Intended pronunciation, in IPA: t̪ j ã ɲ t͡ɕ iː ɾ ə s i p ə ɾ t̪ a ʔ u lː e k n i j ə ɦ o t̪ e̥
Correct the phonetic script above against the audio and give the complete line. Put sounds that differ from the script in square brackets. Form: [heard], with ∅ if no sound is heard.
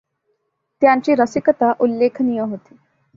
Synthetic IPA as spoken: t̪ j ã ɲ t͡ɕ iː ɾ ə s i [k] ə [∅] t̪ a ʔ u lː e [kʰ] n i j ə ɦ o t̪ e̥